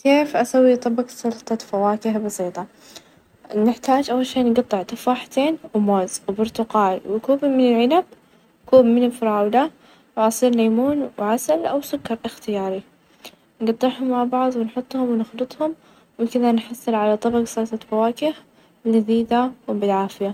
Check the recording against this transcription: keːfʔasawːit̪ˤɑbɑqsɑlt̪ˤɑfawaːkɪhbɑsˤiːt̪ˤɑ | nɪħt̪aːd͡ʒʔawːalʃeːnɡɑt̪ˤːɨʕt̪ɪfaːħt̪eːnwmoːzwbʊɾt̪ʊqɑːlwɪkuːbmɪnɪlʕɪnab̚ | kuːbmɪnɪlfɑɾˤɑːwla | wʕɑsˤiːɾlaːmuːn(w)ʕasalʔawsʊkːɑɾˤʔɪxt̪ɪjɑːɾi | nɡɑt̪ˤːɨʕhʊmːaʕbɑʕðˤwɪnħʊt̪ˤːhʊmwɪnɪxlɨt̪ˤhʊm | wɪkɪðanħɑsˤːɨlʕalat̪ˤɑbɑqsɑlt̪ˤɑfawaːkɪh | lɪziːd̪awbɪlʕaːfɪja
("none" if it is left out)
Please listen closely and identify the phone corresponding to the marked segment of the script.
w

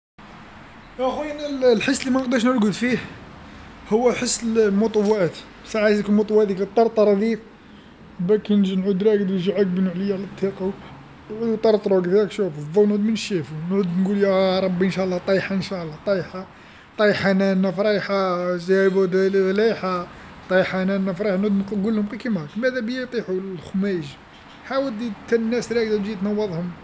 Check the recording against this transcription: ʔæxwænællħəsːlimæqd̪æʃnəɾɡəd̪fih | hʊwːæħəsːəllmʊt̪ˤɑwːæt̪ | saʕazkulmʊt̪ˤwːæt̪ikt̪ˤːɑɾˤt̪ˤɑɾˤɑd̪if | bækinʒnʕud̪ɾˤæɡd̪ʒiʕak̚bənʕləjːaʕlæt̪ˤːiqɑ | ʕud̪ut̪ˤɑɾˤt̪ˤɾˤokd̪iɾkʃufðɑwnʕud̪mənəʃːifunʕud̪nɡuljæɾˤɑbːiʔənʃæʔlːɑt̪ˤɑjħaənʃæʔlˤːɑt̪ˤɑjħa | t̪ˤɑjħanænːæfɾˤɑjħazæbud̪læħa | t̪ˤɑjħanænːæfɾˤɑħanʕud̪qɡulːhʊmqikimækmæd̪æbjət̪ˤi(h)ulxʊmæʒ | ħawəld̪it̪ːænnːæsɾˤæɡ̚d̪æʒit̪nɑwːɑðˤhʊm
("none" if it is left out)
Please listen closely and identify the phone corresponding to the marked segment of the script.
ħ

